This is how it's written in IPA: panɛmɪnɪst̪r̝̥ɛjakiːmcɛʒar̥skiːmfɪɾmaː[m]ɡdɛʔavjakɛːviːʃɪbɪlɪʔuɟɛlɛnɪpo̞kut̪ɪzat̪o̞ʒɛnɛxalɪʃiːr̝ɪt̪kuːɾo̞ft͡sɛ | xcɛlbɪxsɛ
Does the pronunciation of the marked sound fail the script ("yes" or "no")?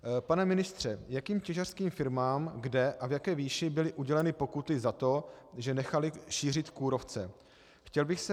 no